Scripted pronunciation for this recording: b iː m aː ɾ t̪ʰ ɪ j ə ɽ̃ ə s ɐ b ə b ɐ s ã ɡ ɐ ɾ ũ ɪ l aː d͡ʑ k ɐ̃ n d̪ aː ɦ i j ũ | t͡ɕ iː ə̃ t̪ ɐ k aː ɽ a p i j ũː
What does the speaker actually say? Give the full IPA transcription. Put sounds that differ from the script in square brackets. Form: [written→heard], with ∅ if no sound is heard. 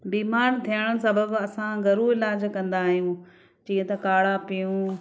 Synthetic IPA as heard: b iː m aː ɾ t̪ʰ [ɪ→i] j ə ɽ̃ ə s ɐ b ə b ɐ s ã ɡ ɐ ɾ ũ ɪ l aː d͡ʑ k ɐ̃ n d̪ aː ɦ i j ũ | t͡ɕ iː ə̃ t̪ ɐ k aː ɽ a p i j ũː